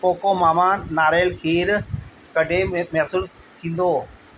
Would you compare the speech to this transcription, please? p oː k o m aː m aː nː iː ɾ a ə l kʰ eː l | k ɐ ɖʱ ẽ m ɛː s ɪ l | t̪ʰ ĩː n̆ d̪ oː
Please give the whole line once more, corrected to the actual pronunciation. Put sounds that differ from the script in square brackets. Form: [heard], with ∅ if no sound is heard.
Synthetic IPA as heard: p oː k o m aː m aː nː [aː] ɾ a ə l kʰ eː [ɾ] | k ɐ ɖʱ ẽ m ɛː s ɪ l | t̪ʰ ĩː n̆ d̪ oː